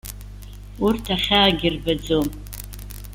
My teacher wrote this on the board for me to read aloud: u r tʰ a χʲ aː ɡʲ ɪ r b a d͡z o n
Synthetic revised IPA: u r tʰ a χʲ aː ɡʲ ɪ r b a d͡z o m